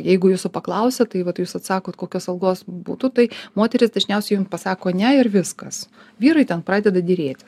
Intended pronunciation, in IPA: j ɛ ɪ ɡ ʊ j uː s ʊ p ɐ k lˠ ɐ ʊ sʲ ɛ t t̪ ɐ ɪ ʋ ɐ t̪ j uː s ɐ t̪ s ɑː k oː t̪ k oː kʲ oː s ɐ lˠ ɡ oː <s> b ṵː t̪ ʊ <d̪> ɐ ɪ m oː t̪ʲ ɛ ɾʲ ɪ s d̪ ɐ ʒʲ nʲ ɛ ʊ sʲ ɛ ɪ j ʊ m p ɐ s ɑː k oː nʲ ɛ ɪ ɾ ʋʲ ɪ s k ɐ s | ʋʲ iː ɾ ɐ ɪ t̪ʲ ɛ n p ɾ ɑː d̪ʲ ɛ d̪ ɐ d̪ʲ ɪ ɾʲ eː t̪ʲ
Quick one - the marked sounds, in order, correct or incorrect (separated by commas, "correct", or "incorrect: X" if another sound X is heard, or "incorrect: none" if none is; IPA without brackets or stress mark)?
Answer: correct, incorrect: t̪